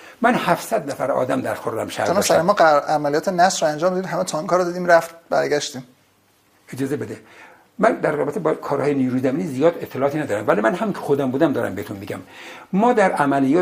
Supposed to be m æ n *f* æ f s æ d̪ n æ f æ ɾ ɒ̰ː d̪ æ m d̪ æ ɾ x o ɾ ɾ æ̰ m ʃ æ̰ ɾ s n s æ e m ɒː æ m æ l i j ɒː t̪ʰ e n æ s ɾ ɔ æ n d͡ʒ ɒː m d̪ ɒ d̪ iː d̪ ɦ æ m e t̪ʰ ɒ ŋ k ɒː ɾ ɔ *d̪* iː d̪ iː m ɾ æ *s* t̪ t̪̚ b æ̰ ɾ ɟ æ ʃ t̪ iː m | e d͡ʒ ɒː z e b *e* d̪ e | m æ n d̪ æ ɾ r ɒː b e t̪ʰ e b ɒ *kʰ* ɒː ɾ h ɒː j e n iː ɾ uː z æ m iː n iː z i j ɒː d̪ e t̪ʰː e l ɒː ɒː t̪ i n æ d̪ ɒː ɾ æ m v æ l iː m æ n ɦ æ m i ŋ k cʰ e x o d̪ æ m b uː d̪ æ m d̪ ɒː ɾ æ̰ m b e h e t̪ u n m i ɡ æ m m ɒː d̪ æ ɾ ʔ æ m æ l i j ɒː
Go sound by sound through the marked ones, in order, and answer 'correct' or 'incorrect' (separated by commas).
incorrect, correct, incorrect, correct, correct